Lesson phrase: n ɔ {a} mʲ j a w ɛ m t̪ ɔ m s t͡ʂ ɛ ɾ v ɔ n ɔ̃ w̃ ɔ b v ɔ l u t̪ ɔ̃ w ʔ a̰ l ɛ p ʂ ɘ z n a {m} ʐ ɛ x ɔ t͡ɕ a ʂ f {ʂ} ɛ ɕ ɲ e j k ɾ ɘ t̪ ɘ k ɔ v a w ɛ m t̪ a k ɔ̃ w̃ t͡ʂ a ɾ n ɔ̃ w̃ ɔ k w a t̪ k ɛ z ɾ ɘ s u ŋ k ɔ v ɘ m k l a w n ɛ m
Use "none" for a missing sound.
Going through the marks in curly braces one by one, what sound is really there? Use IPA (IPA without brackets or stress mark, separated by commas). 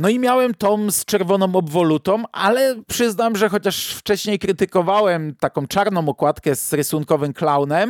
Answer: i, m, t͡ʂ